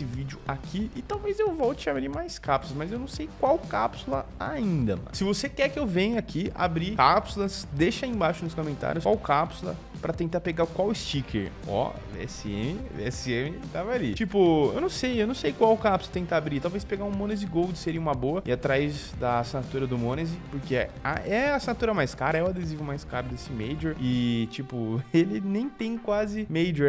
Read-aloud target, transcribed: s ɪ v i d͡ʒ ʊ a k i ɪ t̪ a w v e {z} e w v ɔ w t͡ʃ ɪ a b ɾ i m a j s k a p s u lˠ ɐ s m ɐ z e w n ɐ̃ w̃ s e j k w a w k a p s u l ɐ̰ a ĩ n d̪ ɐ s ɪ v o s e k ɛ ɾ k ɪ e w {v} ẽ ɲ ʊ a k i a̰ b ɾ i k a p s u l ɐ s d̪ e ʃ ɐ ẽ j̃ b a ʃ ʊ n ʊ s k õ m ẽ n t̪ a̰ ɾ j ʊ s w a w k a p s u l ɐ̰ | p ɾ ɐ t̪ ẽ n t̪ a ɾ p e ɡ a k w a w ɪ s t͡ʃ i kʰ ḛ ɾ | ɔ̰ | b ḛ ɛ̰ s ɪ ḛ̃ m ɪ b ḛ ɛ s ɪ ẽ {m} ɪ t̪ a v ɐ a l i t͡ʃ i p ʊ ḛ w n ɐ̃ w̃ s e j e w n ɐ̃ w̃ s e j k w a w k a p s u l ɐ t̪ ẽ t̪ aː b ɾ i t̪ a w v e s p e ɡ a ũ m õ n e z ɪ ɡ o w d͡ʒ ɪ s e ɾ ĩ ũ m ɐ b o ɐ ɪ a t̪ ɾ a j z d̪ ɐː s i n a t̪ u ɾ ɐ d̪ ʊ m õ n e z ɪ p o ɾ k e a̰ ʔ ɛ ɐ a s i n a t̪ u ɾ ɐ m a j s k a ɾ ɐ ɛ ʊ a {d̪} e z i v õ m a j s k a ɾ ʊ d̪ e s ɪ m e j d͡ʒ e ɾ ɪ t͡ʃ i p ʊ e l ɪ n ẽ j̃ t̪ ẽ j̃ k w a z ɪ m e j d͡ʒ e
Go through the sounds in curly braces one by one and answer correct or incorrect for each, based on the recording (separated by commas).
correct, correct, correct, correct